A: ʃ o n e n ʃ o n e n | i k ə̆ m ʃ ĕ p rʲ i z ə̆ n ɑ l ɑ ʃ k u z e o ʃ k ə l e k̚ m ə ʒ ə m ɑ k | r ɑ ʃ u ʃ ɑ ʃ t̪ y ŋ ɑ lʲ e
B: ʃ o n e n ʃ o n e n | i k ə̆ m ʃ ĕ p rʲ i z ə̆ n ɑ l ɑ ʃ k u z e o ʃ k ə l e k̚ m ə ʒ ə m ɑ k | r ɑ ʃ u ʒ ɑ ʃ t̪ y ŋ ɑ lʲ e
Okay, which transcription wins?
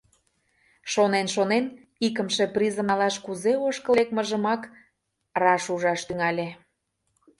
B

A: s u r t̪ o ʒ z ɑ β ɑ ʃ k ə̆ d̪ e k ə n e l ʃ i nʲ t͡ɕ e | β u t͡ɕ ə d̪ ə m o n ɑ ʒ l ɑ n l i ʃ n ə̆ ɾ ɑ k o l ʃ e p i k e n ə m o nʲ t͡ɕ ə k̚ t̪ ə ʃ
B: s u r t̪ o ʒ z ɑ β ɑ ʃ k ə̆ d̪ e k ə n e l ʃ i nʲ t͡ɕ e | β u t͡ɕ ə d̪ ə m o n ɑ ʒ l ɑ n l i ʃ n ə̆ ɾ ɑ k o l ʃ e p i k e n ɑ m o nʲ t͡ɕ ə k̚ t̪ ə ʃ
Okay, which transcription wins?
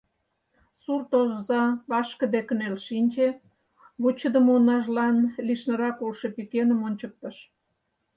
A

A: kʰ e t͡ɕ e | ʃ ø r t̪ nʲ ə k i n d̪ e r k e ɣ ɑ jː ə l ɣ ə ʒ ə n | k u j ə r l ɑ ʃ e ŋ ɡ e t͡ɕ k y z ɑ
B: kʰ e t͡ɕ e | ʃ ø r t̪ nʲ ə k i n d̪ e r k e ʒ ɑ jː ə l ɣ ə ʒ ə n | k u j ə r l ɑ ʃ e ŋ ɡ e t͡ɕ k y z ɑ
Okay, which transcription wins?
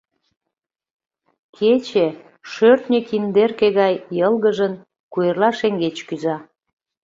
A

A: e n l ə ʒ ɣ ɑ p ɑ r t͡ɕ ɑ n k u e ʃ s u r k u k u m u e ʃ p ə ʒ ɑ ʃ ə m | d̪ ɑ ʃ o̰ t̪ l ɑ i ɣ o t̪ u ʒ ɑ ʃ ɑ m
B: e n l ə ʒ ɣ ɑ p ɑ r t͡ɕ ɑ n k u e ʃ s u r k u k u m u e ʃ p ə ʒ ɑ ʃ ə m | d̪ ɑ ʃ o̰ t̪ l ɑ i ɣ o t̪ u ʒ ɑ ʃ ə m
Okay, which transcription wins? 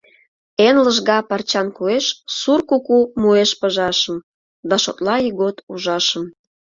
B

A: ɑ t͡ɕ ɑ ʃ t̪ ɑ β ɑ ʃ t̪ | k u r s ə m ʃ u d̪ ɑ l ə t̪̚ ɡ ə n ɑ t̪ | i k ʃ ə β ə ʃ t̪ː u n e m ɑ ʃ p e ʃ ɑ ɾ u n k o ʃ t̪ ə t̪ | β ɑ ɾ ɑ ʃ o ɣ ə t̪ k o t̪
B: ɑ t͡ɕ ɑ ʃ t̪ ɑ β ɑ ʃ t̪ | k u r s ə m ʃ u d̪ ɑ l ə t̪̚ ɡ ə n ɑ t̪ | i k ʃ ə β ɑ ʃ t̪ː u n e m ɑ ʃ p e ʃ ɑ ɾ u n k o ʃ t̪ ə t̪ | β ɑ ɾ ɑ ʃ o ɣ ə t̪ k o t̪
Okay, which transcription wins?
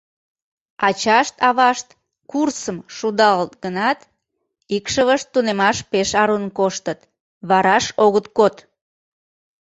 A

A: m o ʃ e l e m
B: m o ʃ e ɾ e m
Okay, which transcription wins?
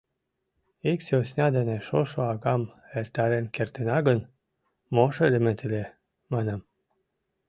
A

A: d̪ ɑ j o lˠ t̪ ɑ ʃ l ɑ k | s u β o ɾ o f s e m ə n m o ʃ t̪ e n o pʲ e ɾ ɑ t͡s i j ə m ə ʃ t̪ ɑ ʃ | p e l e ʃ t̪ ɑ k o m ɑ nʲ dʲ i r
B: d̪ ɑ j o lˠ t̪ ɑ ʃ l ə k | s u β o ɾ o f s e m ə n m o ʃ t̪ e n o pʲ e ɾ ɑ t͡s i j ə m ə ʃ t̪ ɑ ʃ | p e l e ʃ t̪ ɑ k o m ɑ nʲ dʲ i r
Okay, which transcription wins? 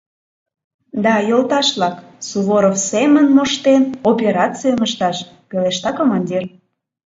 A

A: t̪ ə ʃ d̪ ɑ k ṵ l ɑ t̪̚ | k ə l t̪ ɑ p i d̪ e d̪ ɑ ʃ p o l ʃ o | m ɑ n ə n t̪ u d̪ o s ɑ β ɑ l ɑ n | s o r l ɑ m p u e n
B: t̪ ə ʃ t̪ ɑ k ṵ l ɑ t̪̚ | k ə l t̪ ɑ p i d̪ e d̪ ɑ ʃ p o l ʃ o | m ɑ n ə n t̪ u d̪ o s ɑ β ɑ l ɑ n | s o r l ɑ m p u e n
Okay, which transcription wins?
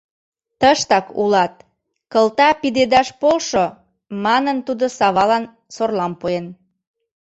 B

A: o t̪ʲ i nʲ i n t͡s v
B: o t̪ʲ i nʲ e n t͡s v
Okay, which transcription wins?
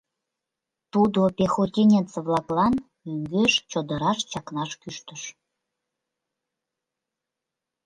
B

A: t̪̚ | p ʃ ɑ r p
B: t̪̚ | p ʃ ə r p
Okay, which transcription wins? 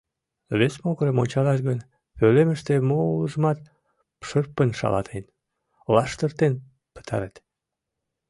B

